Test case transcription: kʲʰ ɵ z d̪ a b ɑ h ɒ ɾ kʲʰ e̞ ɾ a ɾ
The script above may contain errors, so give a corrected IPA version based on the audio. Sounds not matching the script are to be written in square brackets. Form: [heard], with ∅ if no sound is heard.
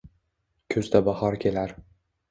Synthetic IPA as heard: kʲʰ ɵ z d̪ a b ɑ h ɒ ɾ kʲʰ e̞ [l] a ɾ